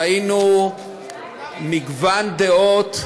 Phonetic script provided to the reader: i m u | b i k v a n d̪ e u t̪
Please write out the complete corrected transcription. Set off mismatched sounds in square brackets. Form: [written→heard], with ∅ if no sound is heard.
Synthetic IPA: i [m→n] u | [b→m] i [k→ɡ] v a n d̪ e [u→o] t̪